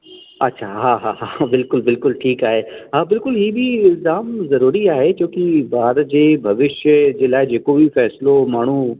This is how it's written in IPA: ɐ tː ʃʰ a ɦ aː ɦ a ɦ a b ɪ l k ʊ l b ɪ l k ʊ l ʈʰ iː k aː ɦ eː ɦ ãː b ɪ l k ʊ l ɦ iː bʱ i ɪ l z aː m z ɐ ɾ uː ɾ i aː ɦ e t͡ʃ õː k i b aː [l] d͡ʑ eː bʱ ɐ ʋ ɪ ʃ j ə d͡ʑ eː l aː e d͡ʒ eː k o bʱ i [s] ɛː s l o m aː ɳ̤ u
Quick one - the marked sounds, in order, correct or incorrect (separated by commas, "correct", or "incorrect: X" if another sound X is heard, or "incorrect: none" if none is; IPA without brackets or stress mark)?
incorrect: ɾ, incorrect: f